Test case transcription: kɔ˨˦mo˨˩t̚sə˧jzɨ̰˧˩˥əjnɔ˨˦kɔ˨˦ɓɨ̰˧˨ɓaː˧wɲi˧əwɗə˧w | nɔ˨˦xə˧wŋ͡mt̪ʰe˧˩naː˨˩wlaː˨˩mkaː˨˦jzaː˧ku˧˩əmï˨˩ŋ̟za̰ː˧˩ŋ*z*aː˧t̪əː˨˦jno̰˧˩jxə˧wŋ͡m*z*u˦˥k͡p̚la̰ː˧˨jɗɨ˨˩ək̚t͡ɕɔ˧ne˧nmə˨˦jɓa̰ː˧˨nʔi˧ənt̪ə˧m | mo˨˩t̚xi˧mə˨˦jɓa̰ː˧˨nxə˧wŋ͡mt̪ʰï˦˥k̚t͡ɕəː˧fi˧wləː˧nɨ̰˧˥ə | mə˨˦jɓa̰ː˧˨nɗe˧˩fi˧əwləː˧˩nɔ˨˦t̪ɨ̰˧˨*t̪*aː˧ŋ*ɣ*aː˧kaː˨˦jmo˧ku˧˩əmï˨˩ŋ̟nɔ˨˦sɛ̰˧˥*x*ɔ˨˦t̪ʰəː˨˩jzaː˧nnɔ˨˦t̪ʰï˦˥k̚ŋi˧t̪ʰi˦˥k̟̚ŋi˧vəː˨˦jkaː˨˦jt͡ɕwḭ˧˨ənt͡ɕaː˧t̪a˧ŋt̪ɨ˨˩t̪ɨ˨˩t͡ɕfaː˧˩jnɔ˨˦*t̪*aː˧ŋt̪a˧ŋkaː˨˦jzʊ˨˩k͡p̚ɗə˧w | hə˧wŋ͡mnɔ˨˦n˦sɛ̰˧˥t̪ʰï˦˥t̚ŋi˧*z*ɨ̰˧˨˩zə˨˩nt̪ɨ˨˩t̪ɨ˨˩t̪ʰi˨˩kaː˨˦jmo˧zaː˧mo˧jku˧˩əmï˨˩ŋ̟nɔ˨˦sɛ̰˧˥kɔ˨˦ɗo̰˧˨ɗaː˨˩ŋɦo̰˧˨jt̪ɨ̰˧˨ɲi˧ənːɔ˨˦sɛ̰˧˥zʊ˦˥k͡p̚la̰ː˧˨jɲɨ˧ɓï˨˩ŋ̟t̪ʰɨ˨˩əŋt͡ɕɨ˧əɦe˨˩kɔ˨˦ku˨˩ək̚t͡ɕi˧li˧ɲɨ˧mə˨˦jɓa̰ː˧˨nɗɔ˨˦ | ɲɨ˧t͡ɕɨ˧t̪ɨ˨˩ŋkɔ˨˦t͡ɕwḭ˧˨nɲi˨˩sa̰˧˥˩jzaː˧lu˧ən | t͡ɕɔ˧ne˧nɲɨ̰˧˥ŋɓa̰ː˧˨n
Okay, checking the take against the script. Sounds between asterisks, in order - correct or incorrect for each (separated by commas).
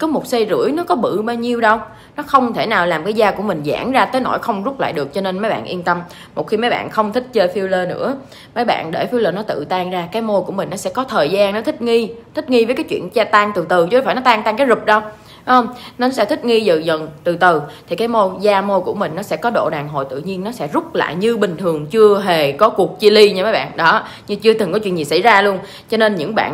correct, correct, correct, incorrect, incorrect, correct, correct